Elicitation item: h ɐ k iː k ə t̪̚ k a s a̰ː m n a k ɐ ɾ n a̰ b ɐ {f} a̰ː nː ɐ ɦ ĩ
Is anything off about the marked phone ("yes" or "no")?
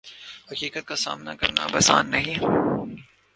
yes